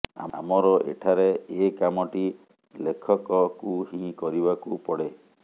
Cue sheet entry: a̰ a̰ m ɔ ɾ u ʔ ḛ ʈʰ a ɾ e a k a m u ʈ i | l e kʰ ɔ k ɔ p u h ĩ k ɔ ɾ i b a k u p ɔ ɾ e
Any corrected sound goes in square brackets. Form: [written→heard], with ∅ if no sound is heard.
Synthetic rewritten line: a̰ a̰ m ɔ ɾ [u→ɔ] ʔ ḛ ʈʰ a ɾ e [a→e] k a m [u→ɔ] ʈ i | l e kʰ ɔ k ɔ [p→k] u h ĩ k ɔ ɾ i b a k u p ɔ [ɾ→ɽ] e